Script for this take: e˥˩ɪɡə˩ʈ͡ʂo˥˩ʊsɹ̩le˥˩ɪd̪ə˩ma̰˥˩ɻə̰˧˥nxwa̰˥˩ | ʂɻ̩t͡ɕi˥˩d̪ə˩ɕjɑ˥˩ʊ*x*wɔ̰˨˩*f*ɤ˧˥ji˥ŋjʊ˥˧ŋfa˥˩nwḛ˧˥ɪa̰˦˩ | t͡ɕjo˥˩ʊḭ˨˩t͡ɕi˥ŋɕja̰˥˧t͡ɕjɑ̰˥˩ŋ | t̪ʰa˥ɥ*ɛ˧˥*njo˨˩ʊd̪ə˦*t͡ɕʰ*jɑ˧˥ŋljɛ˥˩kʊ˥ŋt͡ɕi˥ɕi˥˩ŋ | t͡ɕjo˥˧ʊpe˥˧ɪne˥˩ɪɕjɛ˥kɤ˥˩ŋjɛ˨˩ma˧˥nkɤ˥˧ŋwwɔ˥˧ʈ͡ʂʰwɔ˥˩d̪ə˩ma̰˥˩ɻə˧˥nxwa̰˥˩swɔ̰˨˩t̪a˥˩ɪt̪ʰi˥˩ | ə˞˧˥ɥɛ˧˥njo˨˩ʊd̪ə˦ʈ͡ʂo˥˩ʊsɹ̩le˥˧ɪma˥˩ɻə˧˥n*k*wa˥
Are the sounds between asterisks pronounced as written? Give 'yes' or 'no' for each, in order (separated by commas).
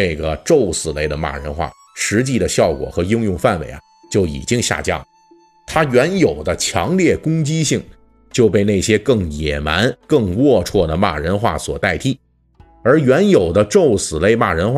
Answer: no, no, yes, yes, no